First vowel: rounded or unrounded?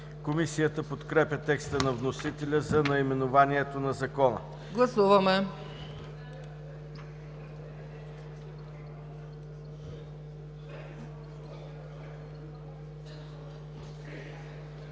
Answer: rounded